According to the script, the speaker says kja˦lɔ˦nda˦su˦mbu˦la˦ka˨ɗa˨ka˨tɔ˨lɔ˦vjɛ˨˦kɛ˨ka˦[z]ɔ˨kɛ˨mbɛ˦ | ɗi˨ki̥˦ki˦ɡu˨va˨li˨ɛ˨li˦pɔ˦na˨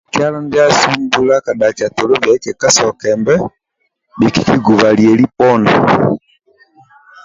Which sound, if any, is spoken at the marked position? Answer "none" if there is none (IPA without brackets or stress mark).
s